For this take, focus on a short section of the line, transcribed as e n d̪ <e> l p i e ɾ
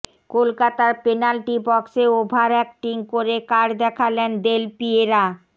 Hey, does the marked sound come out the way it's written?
yes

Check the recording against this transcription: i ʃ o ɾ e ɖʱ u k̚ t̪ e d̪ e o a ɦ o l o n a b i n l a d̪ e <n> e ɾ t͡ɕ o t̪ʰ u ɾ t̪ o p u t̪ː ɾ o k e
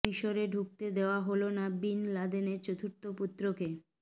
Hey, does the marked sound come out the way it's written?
yes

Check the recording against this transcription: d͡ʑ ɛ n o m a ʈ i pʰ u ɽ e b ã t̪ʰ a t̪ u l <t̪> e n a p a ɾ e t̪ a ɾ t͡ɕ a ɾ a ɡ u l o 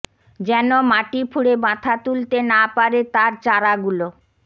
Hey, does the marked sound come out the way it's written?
yes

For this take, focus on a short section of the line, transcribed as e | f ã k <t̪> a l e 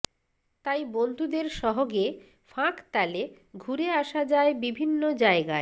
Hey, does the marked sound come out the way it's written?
yes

